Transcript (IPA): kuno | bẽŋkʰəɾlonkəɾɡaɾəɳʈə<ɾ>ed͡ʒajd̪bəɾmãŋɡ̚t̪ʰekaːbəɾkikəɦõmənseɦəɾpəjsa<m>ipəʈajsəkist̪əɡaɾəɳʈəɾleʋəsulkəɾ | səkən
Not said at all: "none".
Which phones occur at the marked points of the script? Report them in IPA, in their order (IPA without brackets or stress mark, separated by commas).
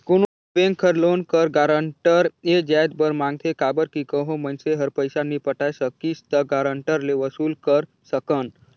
ɾ, n